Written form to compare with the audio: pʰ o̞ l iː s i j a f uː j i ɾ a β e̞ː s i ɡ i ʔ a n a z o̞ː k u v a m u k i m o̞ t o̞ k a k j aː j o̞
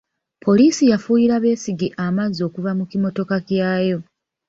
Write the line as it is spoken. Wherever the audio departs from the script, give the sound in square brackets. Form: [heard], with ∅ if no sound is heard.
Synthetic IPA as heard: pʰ o̞ l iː s i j a f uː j i ɾ a β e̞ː s i ɡ i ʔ a [m] a z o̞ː k u v a m u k i m o̞ t o̞ k a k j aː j o̞

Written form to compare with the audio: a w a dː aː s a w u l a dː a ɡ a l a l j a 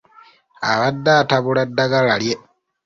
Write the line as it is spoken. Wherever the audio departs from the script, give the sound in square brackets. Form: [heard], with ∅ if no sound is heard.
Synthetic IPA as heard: a [β] a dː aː [t] a [β] u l a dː a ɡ a l a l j [e]

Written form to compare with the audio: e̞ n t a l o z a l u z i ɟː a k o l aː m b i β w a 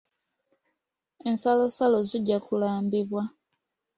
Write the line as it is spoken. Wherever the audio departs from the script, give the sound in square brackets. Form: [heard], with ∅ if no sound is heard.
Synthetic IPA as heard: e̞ n [s] a l o [s] a l [o] z i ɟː a k [u] l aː m b i β w a

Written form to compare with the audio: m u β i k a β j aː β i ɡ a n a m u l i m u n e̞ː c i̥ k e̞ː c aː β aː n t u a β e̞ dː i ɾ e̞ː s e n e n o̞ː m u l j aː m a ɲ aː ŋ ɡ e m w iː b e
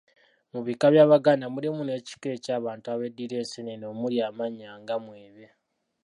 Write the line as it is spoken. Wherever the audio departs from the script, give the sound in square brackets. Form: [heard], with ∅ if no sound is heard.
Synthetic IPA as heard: m u β i k a β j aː β [a] ɡ a n a m u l i m u n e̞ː c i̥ k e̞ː c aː β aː n t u a β e̞ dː i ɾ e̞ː s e n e n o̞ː m u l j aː m a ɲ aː ŋ ɡ [a] m w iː [β] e

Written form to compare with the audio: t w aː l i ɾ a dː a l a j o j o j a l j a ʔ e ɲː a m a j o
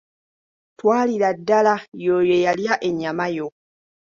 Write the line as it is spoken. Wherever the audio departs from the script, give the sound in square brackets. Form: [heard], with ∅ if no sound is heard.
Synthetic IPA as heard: t w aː l i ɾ a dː a l a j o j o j a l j a ʔ e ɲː a m a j o

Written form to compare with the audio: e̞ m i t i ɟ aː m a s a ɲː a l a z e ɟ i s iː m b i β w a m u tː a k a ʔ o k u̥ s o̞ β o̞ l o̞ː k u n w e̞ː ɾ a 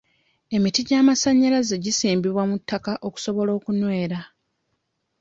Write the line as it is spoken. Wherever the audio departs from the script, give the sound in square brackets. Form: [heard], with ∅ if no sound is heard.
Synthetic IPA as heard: e̞ m i t i ɟ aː m a s a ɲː a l a z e ɟ i s iː m b i β w a m u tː a k a ʔ o k u̥ s o̞ β o̞ l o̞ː k u n w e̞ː ɾ a

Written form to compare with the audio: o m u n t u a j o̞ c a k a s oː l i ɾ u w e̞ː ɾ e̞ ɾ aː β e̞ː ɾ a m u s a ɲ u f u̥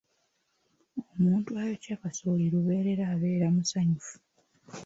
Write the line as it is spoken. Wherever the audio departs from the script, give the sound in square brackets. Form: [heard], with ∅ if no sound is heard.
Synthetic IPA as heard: o m [uː] n t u a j o̞ c a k a s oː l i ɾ u [β] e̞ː ɾ e̞ ɾ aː β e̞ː ɾ a m u s a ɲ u f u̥

